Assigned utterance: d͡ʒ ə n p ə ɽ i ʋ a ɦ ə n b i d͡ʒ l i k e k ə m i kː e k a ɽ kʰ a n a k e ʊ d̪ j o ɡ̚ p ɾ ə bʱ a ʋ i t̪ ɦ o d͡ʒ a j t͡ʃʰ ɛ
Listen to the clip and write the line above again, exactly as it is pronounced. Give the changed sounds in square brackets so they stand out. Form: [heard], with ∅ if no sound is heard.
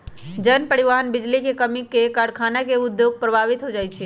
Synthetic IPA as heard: d͡ʒ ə n p ə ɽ i ʋ a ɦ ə n b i d͡ʒ l i k e k ə m i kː e k a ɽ kʰ a n a k e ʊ d̪ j o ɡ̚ p ɾ ə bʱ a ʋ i t̪ ɦ o d͡ʒ a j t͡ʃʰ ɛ